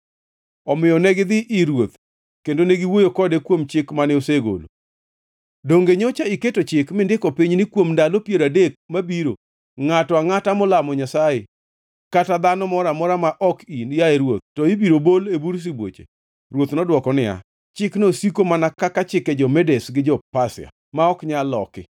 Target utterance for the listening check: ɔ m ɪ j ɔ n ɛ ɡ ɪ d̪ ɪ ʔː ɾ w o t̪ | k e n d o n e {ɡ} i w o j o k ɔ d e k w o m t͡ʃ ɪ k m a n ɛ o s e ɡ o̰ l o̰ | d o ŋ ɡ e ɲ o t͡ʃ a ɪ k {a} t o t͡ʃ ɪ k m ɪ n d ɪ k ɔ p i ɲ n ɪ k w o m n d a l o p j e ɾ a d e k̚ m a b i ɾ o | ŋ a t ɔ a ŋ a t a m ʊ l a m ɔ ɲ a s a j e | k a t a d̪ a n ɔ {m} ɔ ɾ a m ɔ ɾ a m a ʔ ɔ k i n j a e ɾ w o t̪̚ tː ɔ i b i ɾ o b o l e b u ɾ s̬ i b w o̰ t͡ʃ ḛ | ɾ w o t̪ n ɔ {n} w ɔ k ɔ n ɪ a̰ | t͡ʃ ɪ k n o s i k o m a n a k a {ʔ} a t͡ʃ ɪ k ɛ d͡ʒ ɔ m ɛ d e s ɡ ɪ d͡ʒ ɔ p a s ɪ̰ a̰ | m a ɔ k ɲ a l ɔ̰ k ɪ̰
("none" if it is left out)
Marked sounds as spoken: ɡ, e, m, d, k

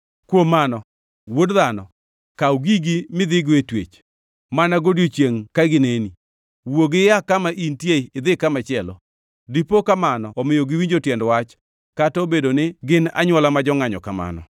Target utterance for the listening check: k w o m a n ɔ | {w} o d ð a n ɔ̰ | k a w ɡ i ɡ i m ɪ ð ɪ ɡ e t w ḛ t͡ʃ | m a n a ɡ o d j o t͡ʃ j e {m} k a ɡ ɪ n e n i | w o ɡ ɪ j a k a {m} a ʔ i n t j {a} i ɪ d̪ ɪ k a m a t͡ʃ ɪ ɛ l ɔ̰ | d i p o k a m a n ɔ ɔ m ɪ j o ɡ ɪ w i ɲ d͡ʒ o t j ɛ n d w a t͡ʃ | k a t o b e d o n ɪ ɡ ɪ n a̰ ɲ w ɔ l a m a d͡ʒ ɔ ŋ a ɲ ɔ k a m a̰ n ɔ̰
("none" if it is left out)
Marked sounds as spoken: w, ŋ, m, e

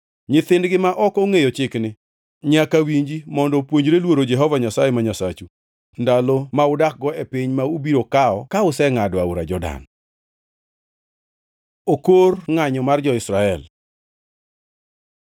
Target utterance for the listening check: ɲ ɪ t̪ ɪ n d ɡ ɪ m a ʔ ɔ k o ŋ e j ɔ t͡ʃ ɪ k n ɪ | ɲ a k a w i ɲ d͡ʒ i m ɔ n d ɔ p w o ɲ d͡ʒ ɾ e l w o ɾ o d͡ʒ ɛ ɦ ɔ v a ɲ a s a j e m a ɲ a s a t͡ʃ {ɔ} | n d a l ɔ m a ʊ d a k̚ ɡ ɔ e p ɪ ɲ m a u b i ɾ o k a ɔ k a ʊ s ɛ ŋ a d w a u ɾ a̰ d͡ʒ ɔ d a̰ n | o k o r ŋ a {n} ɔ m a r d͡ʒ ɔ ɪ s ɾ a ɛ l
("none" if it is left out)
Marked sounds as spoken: u, ɲ

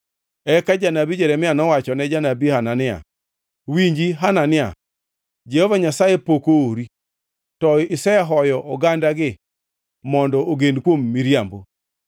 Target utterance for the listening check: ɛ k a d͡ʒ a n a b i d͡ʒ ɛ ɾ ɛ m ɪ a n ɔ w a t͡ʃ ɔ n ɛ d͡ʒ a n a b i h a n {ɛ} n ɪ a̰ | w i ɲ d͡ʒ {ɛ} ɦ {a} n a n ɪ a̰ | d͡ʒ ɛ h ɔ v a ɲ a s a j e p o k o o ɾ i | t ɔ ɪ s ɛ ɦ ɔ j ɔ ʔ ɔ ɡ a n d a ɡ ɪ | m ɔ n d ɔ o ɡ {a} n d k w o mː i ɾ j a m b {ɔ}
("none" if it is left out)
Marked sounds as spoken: a, i, a, e, o

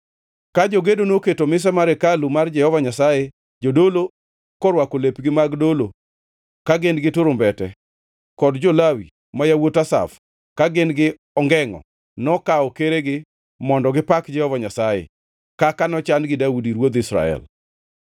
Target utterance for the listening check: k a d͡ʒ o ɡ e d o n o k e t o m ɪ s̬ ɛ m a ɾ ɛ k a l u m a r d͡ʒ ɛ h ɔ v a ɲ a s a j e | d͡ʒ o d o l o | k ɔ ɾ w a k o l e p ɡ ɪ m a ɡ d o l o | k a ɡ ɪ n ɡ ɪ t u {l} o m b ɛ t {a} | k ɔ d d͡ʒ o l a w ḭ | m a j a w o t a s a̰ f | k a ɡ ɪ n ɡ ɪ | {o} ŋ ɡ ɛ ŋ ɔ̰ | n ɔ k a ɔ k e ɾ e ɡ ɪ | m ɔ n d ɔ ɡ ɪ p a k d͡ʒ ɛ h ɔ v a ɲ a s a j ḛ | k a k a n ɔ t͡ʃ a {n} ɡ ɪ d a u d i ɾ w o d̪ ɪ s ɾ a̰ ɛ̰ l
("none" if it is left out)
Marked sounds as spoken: ɾ, ɛ, ɔ, n

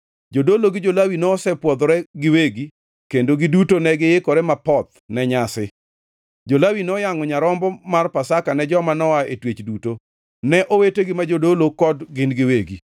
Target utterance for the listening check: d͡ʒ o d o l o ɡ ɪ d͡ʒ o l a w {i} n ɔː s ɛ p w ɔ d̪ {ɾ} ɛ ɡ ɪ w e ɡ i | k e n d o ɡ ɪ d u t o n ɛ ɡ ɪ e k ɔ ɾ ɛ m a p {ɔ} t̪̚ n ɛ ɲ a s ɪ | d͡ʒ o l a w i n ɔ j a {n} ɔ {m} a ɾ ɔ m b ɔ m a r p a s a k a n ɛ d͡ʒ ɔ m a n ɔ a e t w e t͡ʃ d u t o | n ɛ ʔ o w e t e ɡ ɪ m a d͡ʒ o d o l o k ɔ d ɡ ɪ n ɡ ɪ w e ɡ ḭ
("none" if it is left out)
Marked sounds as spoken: i, ɾ, ɔ, ŋ, ɲ

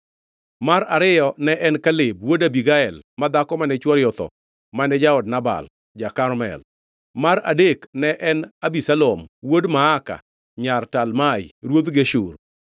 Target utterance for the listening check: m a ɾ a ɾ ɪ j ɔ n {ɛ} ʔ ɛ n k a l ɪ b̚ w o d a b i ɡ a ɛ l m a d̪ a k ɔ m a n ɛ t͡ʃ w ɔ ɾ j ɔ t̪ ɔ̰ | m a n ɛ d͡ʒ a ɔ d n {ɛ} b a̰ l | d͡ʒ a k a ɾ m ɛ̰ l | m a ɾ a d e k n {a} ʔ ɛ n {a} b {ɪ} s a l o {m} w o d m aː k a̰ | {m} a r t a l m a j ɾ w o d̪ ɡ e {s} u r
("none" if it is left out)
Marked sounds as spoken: ɛ, a, ɛ, a, i, m, ɲ, ʃ

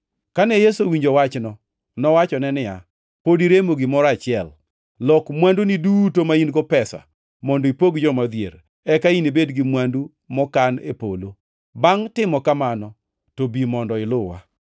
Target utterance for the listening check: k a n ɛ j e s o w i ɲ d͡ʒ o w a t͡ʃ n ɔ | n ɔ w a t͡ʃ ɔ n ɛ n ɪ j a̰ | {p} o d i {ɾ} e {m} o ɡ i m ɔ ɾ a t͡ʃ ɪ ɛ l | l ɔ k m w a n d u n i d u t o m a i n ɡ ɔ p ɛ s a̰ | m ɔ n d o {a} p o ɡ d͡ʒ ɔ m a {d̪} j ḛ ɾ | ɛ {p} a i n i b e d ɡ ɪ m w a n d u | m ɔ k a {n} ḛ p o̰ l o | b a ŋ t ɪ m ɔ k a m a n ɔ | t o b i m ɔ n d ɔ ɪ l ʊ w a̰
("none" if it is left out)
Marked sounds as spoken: p, ɾ, m, i, d̪, k, n

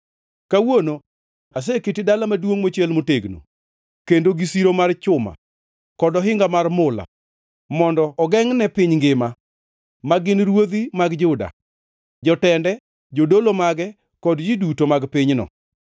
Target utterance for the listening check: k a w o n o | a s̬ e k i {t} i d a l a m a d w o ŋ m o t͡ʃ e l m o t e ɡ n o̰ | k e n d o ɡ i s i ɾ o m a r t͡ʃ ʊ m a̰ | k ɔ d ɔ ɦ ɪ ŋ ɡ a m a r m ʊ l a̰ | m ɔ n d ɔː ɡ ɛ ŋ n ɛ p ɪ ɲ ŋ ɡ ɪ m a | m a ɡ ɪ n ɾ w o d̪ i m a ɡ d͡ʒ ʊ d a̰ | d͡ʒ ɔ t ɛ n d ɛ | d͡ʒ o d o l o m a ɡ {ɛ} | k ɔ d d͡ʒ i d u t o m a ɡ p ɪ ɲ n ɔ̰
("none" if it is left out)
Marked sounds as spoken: t, ɛ

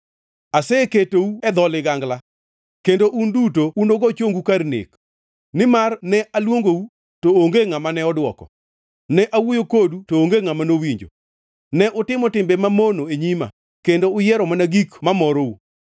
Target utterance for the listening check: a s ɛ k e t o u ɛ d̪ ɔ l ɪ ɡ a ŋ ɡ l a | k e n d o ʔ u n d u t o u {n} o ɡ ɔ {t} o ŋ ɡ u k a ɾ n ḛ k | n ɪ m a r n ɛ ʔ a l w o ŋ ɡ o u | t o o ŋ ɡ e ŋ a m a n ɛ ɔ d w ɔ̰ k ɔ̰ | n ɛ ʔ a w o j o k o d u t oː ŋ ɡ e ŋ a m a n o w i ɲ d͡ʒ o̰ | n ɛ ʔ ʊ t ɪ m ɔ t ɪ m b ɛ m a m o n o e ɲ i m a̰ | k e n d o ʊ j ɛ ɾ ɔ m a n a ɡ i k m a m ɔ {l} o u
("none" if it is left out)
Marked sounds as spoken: n, t͡ʃ, ɾ

